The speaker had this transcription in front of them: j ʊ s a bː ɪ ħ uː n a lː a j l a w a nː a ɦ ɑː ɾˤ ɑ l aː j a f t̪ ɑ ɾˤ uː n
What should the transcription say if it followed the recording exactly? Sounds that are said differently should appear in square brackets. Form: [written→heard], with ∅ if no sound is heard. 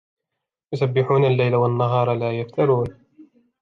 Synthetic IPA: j ʊ s a bː ɪ ħ uː n a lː a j l a w a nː a ɦ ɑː ɾˤ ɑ l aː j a f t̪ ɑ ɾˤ uː n